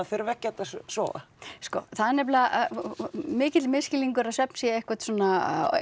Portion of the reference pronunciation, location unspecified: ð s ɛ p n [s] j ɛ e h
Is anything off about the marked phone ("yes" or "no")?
no